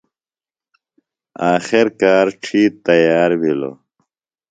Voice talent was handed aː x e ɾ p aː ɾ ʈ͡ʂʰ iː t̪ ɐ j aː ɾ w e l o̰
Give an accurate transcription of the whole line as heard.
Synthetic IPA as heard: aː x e ɾ k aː ɾ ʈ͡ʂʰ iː t̪ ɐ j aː ɾ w i l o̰